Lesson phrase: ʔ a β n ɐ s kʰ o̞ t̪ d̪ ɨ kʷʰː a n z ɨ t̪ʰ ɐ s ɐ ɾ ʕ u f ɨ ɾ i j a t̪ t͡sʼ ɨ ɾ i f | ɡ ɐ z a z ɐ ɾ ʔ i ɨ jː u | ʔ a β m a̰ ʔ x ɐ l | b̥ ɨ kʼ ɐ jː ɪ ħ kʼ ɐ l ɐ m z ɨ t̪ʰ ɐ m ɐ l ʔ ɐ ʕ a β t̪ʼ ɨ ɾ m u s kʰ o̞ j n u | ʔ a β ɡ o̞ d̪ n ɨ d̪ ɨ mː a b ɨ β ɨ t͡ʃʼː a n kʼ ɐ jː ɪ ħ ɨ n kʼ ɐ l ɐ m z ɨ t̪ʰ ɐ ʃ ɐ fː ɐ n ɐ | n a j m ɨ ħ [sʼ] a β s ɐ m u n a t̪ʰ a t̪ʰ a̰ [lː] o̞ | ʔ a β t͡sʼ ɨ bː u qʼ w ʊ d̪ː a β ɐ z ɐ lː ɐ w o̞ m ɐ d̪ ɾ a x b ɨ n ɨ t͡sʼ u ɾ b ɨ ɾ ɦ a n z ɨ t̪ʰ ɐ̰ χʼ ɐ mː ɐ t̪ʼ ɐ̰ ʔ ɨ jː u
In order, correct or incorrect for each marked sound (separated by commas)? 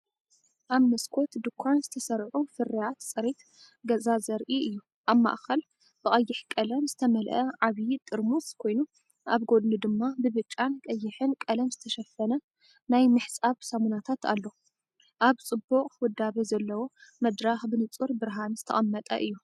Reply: correct, correct